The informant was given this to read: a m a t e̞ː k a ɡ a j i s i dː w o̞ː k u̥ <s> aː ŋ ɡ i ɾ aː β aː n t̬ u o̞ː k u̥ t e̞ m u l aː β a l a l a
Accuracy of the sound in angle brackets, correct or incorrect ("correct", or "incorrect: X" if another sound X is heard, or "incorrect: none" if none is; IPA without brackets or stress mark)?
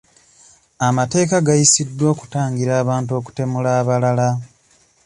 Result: incorrect: t